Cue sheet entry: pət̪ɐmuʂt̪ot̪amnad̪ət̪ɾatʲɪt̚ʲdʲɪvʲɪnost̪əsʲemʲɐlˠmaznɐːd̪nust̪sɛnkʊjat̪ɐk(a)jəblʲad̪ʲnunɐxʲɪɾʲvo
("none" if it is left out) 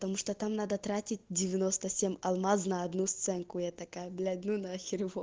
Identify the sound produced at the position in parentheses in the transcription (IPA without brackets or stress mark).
a